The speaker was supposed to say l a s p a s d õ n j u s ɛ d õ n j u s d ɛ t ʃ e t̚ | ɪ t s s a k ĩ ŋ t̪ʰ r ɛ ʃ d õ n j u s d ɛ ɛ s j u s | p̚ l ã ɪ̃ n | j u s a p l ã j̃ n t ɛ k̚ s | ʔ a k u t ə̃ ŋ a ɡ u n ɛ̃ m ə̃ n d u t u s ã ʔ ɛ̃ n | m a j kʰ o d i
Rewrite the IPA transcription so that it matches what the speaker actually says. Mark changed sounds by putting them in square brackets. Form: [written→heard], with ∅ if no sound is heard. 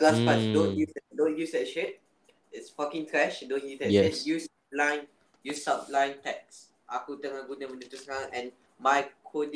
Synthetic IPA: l a s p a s d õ n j u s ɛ d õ n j u s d ɛ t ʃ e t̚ | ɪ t s [s→f] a k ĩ ŋ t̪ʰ [r→ɹ] ɛ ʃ d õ n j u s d ɛ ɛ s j u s | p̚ l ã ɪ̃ n | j u s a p l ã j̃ n t ɛ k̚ s | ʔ a k u t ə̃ ŋ a ɡ u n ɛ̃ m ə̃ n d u t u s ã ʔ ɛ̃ n | m a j kʰ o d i